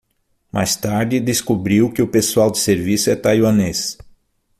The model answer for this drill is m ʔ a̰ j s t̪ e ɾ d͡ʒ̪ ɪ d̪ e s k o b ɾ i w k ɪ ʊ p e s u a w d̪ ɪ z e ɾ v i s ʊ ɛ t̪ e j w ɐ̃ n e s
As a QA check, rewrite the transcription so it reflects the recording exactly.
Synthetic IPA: m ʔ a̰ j s t̪ a ɾ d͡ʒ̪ ɪ d̪ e s k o b ɾ i w k ɪ ʊ p e s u a w d̪ ɪ s e ɾ v i s ʊ ɛ t̪ a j w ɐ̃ n e s